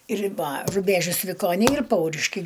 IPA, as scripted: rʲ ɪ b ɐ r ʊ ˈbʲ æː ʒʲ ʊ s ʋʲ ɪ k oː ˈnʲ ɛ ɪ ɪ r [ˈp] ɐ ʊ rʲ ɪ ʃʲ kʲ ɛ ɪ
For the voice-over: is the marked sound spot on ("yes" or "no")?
yes